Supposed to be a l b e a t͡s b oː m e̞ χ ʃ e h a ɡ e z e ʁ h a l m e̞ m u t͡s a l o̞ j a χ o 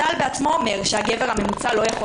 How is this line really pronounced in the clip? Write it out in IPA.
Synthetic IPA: a l b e a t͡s m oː m e̞ ʁ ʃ e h a ɡ e v e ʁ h a m e̞ m u t͡s a l o̞ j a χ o